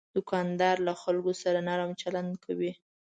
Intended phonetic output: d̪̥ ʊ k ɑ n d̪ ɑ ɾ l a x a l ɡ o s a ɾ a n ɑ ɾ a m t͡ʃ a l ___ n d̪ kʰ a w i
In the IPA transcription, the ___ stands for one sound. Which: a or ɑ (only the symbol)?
a